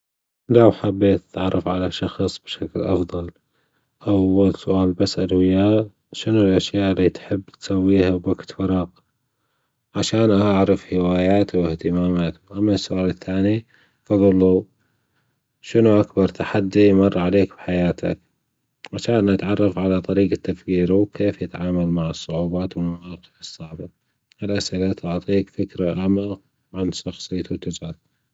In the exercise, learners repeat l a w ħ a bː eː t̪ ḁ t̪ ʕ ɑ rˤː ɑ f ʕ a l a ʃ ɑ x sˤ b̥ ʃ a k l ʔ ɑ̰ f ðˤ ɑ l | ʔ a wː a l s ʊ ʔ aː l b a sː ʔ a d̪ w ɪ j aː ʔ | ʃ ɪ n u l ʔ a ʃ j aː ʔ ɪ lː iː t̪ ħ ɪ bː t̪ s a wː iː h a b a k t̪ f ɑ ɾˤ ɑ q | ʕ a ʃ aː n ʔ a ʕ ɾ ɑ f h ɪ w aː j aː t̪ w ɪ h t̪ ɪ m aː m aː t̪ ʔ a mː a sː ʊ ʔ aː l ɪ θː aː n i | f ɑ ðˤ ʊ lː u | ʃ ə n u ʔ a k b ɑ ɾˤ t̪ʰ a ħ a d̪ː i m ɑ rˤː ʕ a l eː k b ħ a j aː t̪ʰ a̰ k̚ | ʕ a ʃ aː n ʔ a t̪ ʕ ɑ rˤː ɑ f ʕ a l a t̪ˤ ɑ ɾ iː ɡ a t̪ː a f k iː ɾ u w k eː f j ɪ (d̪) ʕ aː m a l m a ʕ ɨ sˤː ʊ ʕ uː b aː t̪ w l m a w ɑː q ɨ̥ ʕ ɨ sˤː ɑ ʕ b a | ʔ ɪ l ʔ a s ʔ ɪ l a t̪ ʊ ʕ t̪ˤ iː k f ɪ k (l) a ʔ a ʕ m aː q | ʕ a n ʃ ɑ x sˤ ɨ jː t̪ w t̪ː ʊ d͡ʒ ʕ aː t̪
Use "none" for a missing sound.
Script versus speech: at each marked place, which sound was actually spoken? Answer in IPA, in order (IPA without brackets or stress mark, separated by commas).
t̪, ɾ